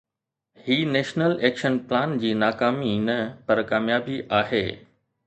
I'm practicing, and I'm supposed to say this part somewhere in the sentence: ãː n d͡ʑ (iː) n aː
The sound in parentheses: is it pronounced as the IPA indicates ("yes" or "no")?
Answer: yes